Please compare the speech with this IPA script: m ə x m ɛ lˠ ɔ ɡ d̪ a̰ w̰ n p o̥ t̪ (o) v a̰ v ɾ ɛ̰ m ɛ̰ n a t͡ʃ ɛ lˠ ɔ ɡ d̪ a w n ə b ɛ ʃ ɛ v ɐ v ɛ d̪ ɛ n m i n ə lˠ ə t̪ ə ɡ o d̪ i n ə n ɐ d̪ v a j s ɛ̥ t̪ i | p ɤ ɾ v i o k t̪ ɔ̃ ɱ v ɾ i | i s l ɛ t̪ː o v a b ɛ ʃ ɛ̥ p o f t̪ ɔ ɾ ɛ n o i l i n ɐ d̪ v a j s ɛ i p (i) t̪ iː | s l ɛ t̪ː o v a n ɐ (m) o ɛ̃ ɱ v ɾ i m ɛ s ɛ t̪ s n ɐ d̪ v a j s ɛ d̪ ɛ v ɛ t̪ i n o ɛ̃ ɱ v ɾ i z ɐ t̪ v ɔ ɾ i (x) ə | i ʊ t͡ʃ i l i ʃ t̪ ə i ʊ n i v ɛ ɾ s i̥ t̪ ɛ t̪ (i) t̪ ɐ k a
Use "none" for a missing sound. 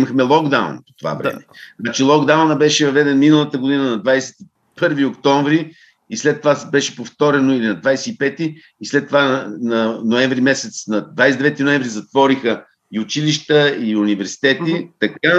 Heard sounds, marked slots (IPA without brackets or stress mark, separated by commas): o, ɛ, n, x, i